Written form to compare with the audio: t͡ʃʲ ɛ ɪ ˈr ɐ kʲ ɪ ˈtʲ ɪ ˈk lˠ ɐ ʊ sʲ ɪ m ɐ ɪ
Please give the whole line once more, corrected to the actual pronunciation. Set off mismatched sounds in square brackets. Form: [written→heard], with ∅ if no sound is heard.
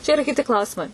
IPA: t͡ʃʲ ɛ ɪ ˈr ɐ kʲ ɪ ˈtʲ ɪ ˈk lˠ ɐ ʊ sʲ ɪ m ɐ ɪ